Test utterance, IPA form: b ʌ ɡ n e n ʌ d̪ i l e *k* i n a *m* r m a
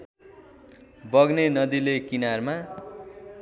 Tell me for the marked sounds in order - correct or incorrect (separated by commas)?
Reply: correct, incorrect